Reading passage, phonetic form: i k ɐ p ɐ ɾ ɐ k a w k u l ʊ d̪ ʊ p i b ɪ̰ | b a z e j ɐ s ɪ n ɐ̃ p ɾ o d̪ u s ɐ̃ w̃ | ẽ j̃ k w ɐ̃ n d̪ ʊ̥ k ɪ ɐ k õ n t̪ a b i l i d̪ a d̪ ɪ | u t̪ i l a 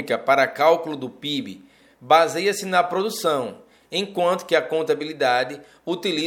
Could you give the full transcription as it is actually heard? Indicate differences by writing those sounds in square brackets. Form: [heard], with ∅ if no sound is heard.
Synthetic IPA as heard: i k ɐ p [a] ɾ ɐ k a w k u l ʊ d̪ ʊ p i b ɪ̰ | b a z e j ɐ s ɪ n [ɐ] p ɾ o d̪ u s ɐ̃ w̃ | ẽ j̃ k w ɐ̃ n [t̪] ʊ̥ k ɪ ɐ k õ n t̪ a b i l i d̪ a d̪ ɪ | u t̪ i l [i]